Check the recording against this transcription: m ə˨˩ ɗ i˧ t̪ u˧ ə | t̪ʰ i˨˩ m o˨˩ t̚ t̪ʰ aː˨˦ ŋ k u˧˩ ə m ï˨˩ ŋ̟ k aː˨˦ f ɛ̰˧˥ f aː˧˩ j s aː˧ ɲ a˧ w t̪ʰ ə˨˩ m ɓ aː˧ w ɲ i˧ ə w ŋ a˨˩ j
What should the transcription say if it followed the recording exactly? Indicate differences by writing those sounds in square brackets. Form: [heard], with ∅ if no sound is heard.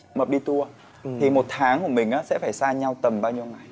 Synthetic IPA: m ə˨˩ ɗ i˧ t̪ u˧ ə | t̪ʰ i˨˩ m o˨˩ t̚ t̪ʰ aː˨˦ ŋ k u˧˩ ə m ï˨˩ ŋ̟ [ʔ] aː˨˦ [s] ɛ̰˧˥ f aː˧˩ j s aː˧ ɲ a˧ w [t̪] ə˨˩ m ɓ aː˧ w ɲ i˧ ə w ŋ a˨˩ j